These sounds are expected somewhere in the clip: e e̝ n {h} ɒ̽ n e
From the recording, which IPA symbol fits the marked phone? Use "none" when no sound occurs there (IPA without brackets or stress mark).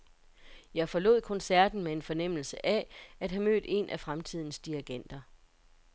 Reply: f